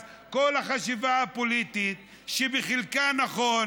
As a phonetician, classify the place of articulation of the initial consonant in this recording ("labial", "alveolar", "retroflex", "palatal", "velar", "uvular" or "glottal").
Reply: velar